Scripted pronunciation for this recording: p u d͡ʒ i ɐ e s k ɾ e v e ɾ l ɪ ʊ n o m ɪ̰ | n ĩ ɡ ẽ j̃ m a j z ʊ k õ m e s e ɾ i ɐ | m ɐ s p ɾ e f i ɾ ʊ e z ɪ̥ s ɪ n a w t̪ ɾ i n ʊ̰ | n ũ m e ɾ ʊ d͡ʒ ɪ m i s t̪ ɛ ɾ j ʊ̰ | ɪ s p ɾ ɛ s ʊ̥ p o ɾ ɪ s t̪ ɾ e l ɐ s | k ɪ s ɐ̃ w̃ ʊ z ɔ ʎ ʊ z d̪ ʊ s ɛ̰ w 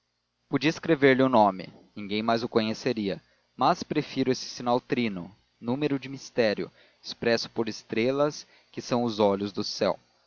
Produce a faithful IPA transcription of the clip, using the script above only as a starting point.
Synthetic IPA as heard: p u d͡ʒ i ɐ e s k ɾ e v e ɾ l ɪ ʊ n õ m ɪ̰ | n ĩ ɡ ẽ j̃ m a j z ʊ k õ ɲ e s e ɾ i ɐ | m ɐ s p ɾ e f i ɾ ʊ e s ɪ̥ s i n a w t̪ ɾ i n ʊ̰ | n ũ m e ɾ ʊ d͡ʒ ɪ m i s t̪ ɛ ɾ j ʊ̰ | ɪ s p ɾ ɛ s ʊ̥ p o ɾ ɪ s t̪ ɾ e l ɐ s | k ɪ s ɐ̃ w̃ ʊ z ɔ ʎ ʊ z d̪ ʊ s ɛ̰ w

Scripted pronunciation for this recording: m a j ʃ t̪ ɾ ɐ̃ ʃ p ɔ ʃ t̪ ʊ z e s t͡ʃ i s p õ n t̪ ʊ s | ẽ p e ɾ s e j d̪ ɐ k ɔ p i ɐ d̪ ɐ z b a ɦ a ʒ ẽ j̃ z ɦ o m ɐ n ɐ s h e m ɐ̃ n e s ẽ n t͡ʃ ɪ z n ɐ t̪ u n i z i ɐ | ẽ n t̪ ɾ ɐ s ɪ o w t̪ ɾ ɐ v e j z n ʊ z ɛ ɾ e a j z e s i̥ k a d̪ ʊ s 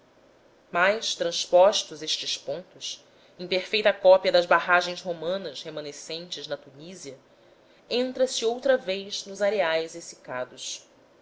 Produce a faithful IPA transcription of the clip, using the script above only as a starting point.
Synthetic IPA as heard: m a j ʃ t̪ ɾ ɐ̃ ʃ p ɔ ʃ t̪ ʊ z e ʃ t͡ʃ ɪ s p õ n t̪ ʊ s | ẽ p e ɾ f e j t̪ ɐ k ɔ p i ɐ d̪ ɐ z b a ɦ a ʒ ẽ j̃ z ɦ o m ɐ̃ n ɐ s h e m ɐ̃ n e s ẽ n t͡ʃ ɪ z n ɐ t̪ u n i z i ɐ | ẽ n t̪ ɾ ɐ s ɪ o w t̪ ɾ ɐ v e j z n ʊ z a ɾ e a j z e s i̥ k a d̪ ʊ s

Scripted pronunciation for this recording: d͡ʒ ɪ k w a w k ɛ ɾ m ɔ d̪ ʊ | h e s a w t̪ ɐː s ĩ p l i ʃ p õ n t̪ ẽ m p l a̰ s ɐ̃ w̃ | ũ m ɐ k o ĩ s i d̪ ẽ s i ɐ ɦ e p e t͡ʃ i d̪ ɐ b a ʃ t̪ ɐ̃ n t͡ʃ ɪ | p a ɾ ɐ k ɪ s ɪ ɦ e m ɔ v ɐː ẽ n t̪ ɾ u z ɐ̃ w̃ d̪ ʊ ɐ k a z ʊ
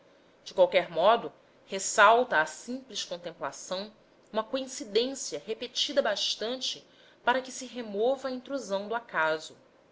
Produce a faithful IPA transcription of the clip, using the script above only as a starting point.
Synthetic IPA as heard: d͡ʒ ɪ k w a w k ɛ ɾ m ɔ d̪ ʊ | h e s a w t̪ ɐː s ĩ p l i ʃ k õ n t̪ ẽ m p l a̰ s ɐ̃ w̃ | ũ m ɐ k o ĩ s i d̪ ẽ s i ɐ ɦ e p e t͡ʃ i d̪ ɐ b a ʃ t̪ ɐ̃ n t͡ʃ ɪ | p a ɾ ɐ k ɪ s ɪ ɦ e m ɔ v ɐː ĩ n t̪ ɾ u z ɐ̃ w̃ d̪ ʊ a k a z ʊ

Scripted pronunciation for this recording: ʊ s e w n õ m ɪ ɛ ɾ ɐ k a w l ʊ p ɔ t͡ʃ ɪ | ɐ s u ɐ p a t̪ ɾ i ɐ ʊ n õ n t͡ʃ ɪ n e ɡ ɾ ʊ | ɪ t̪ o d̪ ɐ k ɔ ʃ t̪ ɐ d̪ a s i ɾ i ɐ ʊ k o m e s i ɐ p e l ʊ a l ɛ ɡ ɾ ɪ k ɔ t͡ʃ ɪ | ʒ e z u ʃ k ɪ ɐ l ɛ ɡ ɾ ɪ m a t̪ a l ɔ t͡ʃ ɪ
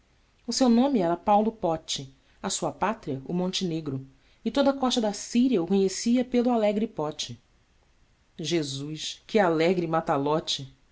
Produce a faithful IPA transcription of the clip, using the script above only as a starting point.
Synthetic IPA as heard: ʊ s e w n õ m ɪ ɛ ɾ ɐ p a w l ʊ p ɔ t͡ʃ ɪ | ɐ s u ɐ p a t̪ ɾ i ɐ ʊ m õ n t͡ʃ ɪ n e ɡ ɾ ʊ | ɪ t̪ o d̪ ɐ k ɔ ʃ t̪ ɐ d̪ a s i ɾ i ɐ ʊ k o ɲ e s i ɐ p e l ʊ a l ɛ ɡ ɾ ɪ p ɔ t͡ʃ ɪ | ʒ e z u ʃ k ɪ a l ɛ ɡ ɾ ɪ m a t̪ a l ɔ t͡ʃ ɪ

